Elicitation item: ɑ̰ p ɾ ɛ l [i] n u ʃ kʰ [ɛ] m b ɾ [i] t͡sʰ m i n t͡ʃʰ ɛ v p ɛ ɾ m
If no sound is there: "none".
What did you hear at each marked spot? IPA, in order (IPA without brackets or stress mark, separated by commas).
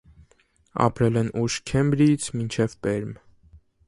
ɛ, ɛ, i